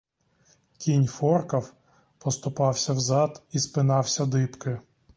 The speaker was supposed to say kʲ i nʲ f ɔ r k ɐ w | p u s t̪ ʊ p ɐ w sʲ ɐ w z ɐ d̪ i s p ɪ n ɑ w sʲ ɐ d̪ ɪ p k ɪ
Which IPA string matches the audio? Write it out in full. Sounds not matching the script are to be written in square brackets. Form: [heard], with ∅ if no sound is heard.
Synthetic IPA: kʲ i nʲ f ɔ r k ɐ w | p [ɔ] s t̪ ʊ p [ɑ] w sʲ ɐ w z [ɑ] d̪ i s p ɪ n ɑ w sʲ ɐ d̪ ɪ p k ɪ